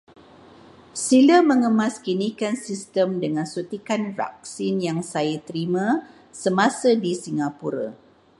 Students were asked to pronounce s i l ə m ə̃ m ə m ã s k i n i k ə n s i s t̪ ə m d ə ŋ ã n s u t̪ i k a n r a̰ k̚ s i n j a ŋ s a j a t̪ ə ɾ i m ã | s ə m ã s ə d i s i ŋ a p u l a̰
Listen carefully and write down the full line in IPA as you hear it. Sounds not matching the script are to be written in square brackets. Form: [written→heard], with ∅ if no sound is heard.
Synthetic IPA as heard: s i l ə m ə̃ [m→ŋ] ə m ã s k i n i k [ə→a] n s i s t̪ ə m d ə ŋ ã n s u t̪ i k a n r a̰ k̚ s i n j a ŋ s a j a t̪ ə ɾ i m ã | s ə m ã s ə d i s i ŋ a p u [l→ɾ] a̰